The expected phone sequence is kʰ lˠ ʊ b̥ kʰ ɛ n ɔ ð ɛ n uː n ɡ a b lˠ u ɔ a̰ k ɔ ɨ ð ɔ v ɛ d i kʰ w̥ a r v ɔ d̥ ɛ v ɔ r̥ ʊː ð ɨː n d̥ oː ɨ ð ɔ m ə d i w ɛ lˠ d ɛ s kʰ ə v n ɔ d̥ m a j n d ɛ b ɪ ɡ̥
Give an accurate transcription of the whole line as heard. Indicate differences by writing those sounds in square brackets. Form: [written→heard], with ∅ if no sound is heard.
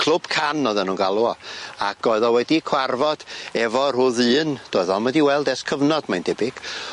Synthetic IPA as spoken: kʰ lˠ ʊ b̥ kʰ [ɛ→a] n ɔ ð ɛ n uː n ɡ a [b→∅] lˠ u ɔ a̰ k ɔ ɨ ð ɔ [v→w] ɛ d i kʰ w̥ a r v ɔ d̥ ɛ v ɔ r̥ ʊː ð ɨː n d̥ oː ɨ ð ɔ m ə d i w ɛ lˠ d ɛ s kʰ ə v n ɔ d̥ m a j n d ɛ b ɪ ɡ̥